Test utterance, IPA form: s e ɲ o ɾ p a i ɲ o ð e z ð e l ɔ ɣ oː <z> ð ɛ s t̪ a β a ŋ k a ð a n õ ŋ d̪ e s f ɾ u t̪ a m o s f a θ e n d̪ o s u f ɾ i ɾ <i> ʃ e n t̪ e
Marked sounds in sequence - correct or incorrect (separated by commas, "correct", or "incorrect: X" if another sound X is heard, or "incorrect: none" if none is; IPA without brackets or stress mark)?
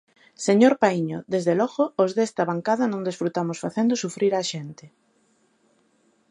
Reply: correct, incorrect: a